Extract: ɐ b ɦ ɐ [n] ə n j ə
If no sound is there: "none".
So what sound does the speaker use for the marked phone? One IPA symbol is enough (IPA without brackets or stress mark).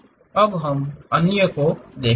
m